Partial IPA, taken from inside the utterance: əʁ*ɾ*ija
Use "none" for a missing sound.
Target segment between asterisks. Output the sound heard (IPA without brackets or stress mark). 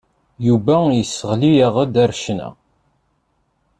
l